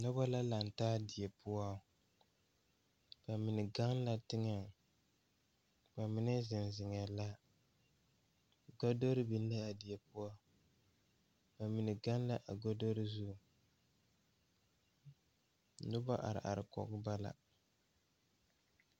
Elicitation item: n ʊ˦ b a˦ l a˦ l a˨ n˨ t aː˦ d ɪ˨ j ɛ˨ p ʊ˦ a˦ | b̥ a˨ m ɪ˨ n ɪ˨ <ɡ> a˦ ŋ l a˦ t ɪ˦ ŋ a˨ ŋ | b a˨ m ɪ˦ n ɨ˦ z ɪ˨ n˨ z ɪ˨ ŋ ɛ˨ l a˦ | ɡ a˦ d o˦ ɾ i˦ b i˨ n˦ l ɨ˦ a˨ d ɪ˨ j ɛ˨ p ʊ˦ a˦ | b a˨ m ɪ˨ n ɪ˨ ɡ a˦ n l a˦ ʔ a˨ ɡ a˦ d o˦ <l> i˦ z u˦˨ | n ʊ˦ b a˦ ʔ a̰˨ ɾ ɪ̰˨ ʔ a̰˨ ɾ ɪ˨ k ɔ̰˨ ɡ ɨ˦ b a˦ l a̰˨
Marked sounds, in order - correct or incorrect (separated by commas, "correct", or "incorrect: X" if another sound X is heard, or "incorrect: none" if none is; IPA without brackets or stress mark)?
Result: correct, incorrect: ɾ